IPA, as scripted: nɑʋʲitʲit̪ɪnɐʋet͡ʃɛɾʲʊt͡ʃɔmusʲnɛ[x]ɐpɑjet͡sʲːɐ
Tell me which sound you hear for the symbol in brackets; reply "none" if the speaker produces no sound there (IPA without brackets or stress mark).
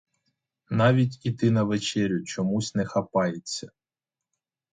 x